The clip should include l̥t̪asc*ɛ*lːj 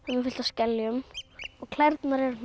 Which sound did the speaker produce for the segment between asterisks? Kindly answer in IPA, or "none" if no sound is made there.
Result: ɛ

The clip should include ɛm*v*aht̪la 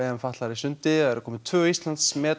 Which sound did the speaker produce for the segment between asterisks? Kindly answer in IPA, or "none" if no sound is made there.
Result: f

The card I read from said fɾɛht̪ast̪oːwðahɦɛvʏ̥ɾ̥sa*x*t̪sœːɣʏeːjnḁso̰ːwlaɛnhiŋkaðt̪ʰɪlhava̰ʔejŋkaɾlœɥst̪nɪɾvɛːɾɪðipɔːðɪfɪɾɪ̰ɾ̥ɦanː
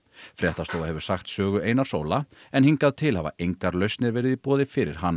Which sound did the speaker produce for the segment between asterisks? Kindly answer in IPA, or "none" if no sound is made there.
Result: x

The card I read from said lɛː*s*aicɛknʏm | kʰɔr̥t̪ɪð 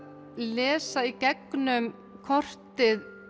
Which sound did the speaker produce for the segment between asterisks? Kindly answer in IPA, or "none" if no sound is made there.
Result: s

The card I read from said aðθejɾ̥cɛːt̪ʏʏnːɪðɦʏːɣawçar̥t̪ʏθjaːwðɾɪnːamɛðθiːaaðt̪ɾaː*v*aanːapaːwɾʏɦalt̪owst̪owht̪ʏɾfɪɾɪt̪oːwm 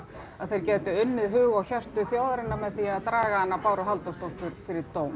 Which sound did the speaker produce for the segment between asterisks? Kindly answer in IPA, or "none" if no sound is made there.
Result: ɣ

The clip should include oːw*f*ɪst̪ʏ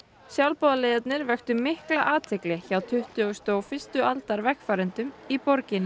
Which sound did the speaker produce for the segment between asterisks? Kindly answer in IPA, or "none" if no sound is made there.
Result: f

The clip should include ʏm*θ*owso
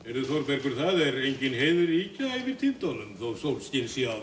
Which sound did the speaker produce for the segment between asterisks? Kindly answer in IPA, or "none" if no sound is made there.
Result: θ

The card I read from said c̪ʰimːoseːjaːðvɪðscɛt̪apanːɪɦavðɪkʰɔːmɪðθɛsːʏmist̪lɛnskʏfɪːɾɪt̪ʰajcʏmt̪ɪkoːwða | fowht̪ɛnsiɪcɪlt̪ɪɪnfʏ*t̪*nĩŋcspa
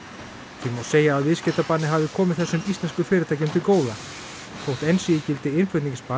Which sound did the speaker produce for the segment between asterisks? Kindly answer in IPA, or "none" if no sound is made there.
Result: t̪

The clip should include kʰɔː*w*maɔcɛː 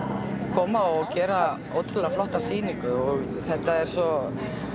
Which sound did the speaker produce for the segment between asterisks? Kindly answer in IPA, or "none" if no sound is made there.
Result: none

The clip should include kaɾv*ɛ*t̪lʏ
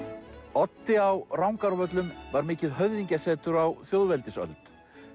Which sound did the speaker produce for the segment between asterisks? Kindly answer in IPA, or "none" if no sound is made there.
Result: œ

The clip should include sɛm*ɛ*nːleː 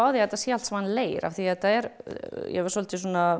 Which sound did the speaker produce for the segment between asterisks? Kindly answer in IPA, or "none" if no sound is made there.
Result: a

